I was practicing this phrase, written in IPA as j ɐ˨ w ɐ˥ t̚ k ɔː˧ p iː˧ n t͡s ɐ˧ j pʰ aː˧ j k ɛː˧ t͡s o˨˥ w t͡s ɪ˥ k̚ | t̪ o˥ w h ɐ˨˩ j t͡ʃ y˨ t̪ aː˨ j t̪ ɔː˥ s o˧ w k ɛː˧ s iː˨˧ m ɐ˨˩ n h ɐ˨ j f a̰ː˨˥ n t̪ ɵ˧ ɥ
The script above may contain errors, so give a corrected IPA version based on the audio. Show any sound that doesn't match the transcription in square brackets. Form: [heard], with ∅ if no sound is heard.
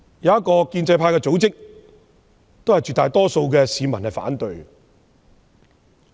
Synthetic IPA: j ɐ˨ w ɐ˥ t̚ k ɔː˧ [k] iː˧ n t͡s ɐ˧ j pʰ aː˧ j k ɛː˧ t͡s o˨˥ w t͡s ɪ˥ k̚ | t̪ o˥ w h ɐ˨˩ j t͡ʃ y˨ t̪ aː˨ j t̪ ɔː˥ s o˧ w k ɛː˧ s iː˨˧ m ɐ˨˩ n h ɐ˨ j f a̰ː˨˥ n t̪ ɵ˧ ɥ